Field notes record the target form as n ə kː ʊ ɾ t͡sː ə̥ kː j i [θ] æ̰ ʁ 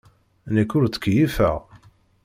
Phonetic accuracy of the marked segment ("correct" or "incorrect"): incorrect